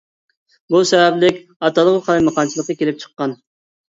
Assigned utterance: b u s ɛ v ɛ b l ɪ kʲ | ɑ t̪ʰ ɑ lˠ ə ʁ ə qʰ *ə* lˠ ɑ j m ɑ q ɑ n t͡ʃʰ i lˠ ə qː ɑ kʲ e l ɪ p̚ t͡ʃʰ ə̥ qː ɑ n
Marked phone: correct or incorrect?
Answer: incorrect